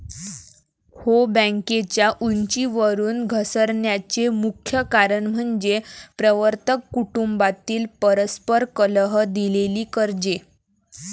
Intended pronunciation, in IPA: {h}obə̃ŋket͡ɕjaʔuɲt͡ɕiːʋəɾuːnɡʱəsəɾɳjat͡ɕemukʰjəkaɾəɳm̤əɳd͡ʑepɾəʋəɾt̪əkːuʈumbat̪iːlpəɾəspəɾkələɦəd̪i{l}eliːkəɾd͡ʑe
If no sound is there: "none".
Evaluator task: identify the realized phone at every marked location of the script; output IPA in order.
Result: h, l

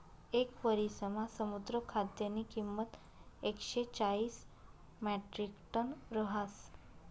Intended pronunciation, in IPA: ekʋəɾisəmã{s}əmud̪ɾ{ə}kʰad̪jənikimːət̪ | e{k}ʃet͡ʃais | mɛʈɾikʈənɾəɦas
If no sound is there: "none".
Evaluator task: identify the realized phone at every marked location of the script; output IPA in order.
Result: s, ə, k

